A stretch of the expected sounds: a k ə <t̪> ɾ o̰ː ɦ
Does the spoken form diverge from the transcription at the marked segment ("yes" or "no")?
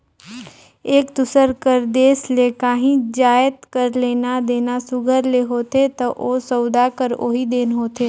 yes